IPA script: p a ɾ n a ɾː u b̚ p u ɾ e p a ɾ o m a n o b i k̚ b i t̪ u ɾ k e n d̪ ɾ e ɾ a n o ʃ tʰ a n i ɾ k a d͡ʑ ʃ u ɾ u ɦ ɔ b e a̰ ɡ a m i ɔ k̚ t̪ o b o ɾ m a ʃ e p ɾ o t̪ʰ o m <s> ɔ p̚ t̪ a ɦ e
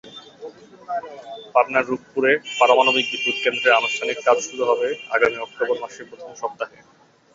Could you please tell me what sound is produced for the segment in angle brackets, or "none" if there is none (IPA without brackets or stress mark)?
ʃ